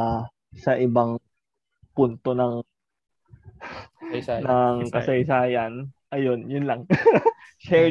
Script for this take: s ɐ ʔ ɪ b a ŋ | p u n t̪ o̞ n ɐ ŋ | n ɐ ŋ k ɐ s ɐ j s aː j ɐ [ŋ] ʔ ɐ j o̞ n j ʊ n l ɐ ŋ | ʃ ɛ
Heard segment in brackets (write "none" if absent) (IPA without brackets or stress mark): n